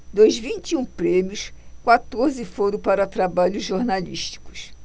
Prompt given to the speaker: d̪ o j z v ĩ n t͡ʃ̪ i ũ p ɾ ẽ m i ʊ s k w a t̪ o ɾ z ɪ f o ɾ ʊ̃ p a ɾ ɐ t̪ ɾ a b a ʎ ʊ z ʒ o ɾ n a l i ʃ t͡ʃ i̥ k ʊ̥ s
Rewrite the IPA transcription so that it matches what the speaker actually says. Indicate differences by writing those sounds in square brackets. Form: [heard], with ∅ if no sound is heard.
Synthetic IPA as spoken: d̪ o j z v ĩ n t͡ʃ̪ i ũ p ɾ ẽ m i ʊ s k w a t̪ o ɾ z ɪ f o ɾ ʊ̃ p a ɾ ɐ t̪ ɾ a b a ʎ ʊ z ʒ o ɾ n a l i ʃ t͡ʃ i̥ k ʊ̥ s